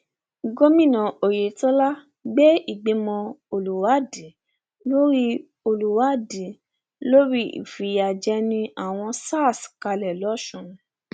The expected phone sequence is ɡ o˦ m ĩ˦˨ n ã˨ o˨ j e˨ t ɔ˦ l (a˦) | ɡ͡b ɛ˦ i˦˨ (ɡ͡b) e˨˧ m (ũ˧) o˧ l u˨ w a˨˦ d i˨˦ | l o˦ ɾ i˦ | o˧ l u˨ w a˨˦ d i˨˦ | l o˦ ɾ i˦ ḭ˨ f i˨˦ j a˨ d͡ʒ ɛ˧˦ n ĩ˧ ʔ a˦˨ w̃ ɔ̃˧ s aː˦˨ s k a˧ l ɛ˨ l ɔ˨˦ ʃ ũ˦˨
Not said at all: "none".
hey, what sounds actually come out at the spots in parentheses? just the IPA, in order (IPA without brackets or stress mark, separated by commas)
a˦, ɡ͡b, ɔ̃˧